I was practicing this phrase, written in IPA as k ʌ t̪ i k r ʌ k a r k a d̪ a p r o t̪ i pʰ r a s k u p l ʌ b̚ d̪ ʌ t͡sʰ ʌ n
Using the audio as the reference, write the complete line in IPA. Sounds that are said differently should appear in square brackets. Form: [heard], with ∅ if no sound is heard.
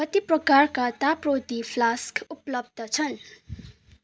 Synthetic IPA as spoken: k ʌ t̪ i [p] r ʌ k a r k a [t̪] a p r o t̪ i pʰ [l] a s k u p l ʌ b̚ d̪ ʌ t͡sʰ ʌ n

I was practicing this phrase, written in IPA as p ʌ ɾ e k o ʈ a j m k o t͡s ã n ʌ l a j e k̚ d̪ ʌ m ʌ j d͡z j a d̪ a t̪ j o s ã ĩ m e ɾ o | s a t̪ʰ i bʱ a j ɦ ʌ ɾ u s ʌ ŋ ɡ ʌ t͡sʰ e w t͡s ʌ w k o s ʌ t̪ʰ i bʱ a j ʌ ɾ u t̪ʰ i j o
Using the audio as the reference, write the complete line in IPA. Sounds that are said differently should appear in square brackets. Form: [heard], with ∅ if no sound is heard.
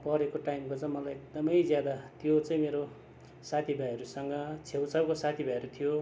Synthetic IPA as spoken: p ʌ ɾ e k o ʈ a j m k o t͡s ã [m] ʌ l a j e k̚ d̪ ʌ m ʌ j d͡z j a d̪ a t̪ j o [t͡s] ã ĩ m e ɾ o | s a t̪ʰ i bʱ a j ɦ ʌ ɾ u s ʌ ŋ ɡ ʌ t͡sʰ e w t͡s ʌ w k o s [a] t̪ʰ i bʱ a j ʌ ɾ u t̪ʰ i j o

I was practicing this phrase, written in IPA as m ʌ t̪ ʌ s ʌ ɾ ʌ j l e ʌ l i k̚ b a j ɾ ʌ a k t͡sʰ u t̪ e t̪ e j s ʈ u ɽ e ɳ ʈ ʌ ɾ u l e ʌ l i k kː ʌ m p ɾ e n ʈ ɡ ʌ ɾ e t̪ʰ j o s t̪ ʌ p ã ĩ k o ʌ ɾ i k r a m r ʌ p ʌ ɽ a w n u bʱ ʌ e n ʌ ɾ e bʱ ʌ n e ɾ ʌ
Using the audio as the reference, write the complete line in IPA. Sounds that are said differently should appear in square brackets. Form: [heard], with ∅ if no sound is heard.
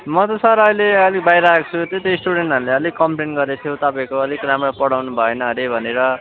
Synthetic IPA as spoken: m ʌ t̪ ʌ s ʌ ɾ ʌ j l e ʌ l i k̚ b a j ɾ ʌ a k t͡sʰ u t̪ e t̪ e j s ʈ u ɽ e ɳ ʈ ʌ ɾ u l e ʌ l i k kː ʌ m p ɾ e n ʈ ɡ ʌ ɾ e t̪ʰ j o [∅] t̪ ʌ p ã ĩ k o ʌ [l] i k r a m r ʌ p ʌ ɽ a w n u bʱ ʌ e n ʌ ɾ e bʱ ʌ n e ɾ ʌ

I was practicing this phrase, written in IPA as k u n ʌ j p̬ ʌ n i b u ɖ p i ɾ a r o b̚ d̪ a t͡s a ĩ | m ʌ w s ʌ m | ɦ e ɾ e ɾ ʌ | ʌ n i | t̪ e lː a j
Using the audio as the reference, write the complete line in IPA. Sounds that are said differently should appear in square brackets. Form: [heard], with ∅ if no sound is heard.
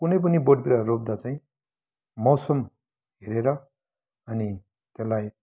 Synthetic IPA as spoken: k u n ʌ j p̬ ʌ n i b [o] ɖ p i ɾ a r o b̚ d̪ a t͡s a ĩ | m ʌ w s ʌ m | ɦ e ɾ e ɾ ʌ | ʌ n i | t̪ e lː a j

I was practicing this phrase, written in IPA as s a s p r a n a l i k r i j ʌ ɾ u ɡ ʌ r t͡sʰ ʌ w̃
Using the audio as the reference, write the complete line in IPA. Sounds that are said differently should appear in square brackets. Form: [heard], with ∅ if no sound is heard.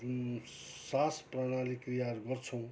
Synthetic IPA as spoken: s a s p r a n a l i k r i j [a] ɾ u ɡ ʌ r t͡sʰ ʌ w̃

